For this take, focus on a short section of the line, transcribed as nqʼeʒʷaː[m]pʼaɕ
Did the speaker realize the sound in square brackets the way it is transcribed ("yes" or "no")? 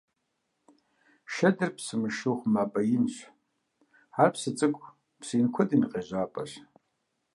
no